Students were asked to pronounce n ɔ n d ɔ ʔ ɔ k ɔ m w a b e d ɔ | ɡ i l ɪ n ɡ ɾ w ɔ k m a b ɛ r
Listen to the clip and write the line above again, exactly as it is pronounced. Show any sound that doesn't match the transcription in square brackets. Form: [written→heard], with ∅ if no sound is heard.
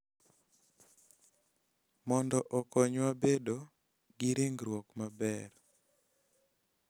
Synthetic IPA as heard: [n→m] ɔ n d ɔ ʔ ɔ k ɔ [m→ɲ] w a b e d [ɔ→o] | ɡ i [l→ɾ] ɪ [n→ŋ] ɡ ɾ w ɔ k m a b ɛ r